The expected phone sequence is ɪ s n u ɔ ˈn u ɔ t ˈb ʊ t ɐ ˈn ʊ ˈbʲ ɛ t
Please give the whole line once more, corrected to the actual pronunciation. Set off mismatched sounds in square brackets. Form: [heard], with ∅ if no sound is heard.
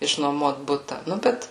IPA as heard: ɪ [ʃ] n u ɔ [ˈm] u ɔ t ˈb ʊ t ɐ ˈn ʊ ˈbʲ ɛ t